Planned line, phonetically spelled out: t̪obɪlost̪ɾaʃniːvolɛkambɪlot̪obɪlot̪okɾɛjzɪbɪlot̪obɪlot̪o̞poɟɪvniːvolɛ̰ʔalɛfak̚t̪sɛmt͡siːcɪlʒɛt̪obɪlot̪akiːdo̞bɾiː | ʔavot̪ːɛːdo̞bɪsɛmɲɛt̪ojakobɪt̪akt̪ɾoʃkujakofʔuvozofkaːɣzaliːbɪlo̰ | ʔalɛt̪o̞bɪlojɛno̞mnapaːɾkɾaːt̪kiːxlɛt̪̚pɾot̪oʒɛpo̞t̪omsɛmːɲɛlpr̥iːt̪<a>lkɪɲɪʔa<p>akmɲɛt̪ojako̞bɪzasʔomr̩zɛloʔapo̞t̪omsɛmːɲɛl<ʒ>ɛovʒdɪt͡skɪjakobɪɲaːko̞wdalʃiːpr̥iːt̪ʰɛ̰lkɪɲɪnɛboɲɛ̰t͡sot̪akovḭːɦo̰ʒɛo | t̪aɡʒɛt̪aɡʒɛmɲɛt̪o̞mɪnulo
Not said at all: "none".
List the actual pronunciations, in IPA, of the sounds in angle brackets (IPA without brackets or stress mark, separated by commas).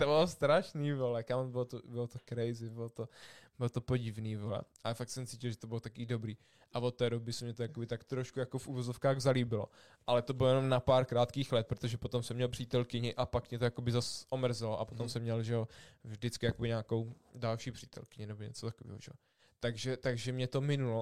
ɛ, p, ʒ